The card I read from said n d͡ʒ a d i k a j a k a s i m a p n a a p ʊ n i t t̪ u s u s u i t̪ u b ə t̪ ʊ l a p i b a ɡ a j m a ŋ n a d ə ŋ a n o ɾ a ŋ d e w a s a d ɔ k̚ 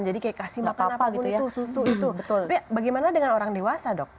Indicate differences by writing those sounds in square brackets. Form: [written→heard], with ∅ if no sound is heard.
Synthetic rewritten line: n d͡ʒ a d i k a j a k a s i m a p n a a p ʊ n i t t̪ u s u s u i t̪ u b ə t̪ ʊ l a p i b a ɡ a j m a [ŋ→∅] n a d ə ŋ a n o ɾ a ŋ d e w a s a d ɔ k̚